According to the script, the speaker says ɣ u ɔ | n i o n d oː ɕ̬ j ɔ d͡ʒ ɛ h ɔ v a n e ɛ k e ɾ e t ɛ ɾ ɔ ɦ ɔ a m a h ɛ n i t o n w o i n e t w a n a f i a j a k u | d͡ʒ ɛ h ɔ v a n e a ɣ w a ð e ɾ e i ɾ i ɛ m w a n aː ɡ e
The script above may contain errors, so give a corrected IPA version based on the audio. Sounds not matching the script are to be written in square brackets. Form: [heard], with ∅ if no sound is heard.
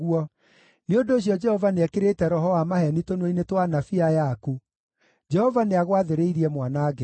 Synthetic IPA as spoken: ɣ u ɔ | n [e] o n d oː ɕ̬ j ɔ d͡ʒ ɛ h ɔ v a n e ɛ k e ɾ e t ɛ ɾ ɔ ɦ ɔ a m a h ɛ n i t o n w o i n e t w a n a f i a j a k u | d͡ʒ ɛ h ɔ v a n e a ɣ w a ð e ɾ e i ɾ i ɛ m w a n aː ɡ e